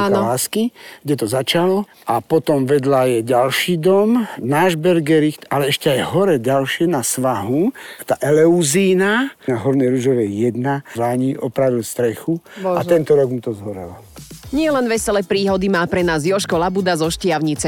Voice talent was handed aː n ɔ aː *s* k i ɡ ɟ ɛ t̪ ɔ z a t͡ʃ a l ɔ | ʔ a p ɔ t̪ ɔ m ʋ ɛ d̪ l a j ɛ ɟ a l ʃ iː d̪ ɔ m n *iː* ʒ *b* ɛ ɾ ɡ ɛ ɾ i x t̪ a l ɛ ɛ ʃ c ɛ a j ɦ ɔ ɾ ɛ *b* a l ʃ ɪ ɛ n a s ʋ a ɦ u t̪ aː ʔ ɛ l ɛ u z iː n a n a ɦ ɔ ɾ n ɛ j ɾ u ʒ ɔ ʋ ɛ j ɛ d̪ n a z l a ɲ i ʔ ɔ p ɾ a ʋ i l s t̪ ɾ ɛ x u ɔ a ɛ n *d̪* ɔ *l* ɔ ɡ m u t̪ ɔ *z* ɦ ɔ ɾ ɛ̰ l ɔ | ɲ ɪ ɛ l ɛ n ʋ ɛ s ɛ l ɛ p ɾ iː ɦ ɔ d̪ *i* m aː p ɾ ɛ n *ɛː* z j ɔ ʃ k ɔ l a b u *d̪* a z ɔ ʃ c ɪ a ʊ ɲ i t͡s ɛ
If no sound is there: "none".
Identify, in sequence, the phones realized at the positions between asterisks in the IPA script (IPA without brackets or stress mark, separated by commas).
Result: s, aː, b, ɟ, t̪, ɾ, z, i, aː, d̪